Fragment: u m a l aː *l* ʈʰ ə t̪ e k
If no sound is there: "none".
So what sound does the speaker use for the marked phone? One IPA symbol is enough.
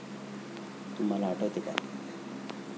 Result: none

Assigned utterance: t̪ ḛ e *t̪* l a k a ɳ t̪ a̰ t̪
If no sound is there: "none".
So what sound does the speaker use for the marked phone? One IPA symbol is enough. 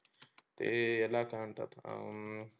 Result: none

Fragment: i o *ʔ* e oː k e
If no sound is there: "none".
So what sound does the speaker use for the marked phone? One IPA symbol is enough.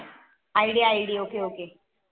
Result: k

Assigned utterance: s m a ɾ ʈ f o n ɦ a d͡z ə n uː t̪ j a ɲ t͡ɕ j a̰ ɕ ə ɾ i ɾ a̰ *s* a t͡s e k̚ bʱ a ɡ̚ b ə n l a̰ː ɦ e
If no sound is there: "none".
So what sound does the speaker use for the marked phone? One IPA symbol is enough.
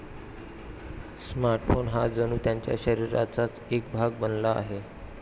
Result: t͡s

